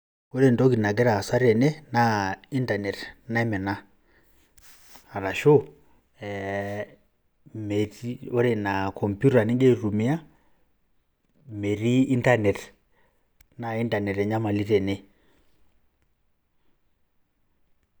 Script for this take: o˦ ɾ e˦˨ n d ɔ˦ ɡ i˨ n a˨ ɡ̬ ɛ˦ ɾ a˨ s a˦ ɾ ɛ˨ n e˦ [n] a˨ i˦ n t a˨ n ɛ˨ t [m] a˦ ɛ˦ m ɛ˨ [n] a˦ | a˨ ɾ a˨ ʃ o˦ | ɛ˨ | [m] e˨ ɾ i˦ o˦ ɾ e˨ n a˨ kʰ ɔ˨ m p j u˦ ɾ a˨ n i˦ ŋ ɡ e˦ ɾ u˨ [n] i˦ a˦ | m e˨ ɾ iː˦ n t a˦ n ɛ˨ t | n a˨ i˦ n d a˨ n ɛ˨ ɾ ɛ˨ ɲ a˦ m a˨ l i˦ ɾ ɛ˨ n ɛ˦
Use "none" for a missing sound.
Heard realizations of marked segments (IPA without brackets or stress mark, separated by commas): n, n, n, m, m